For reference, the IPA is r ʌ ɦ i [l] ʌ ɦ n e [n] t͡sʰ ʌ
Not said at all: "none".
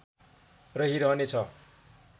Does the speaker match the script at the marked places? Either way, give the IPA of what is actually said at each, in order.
ɾ, none

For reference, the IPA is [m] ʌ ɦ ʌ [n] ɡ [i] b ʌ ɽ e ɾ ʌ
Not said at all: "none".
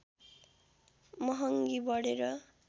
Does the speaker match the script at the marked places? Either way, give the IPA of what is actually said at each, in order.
m, ŋ, i

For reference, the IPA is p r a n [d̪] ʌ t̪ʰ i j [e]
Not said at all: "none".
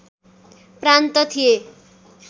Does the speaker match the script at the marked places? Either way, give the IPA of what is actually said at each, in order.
t̪, e

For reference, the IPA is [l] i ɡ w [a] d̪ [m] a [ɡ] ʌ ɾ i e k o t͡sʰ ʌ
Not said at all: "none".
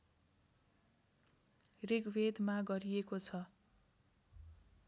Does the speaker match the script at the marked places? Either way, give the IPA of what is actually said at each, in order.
r, e, m, ɡ

